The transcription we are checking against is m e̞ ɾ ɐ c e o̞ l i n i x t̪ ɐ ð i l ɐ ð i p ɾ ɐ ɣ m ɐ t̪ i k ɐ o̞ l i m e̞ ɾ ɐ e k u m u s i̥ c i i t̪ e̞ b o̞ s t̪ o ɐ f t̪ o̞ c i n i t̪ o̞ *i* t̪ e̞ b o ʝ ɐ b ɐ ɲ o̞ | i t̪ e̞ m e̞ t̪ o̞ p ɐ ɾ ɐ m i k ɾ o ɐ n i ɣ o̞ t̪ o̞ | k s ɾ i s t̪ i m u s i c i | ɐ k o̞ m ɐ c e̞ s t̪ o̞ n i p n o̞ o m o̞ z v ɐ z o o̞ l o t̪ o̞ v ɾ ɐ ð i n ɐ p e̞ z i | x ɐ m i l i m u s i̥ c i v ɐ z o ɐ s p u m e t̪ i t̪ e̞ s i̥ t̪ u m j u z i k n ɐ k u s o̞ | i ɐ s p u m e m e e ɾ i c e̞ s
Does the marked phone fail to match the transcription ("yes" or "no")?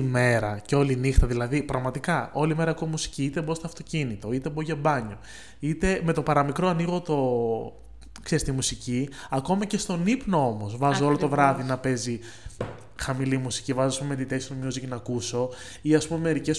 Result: no